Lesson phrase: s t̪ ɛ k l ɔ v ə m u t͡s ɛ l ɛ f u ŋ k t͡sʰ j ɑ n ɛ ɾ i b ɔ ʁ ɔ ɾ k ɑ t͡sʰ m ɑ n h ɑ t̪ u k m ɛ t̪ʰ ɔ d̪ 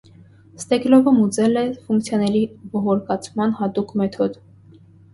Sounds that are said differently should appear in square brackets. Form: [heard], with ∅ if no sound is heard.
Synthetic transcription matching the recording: s t̪ ɛ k l ɔ v ə m u t͡s ɛ l ɛ f u ŋ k t͡sʰ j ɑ n ɛ ɾ i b ɔ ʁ ɔ ɾ k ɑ t͡sʰ m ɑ n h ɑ t̪ u k m ɛ t̪ʰ ɔ d̪